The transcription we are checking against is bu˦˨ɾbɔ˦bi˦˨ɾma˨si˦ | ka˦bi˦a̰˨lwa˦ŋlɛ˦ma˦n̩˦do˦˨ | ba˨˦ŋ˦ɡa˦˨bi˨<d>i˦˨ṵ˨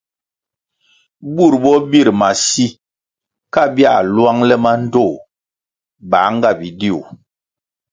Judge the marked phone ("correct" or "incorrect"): correct